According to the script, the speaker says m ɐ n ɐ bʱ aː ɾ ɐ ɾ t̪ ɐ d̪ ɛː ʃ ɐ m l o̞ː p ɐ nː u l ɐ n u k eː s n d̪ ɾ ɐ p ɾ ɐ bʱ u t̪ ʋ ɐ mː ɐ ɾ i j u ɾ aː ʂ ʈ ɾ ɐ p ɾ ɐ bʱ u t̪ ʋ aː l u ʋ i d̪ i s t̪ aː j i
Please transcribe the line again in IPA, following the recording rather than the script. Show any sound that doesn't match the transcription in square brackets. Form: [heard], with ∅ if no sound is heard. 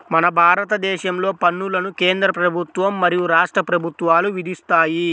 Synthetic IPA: m ɐ n ɐ bʱ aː ɾ ɐ [∅] t̪ ɐ d̪ ɛː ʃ ɐ m l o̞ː p ɐ nː u l ɐ n u k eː [∅] n d̪ ɾ ɐ p ɾ ɐ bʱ u t̪ ʋ ɐ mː ɐ ɾ i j u ɾ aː ʂ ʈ ɾ ɐ p ɾ ɐ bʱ u t̪ ʋ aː l u ʋ i d̪ i s t̪ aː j i